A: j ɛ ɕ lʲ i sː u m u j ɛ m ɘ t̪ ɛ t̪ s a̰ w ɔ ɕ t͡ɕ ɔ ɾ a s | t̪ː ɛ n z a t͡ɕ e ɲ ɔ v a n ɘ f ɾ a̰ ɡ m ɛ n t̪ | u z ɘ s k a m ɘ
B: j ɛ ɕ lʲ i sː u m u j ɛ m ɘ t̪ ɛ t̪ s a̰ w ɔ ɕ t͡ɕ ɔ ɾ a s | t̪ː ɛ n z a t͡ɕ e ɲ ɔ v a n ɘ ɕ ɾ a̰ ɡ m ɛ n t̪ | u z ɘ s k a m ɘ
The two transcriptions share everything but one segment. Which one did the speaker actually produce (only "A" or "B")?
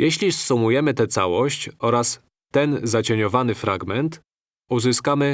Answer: A